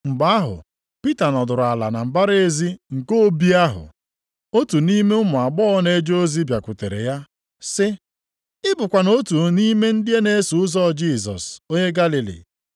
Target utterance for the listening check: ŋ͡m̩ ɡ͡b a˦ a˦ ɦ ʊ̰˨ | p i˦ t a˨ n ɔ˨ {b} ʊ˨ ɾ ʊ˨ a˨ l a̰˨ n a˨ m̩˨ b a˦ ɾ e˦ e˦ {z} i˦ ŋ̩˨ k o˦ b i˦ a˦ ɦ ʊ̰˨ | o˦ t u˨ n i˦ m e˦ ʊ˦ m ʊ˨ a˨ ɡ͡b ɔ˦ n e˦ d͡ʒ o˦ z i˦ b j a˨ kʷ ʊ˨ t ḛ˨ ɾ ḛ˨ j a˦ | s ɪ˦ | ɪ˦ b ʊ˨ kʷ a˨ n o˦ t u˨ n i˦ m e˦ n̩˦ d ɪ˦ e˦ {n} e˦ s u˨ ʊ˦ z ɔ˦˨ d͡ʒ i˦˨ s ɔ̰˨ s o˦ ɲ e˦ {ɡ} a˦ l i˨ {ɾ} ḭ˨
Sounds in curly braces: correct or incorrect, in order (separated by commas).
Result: incorrect, correct, correct, correct, incorrect